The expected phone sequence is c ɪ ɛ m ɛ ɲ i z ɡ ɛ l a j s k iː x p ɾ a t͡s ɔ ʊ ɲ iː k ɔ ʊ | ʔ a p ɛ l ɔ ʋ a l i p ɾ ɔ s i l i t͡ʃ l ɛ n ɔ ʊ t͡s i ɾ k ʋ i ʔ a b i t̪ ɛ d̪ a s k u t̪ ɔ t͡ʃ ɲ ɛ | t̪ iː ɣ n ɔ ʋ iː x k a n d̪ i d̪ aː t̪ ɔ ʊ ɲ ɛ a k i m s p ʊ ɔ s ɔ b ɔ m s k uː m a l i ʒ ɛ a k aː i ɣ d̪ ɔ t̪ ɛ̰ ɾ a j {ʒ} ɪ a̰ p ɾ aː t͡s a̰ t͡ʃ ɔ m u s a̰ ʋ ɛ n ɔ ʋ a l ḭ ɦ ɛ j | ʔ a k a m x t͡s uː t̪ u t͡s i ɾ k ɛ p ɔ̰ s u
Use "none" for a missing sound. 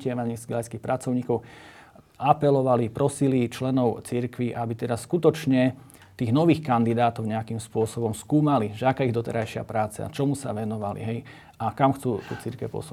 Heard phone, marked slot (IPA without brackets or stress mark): ʃ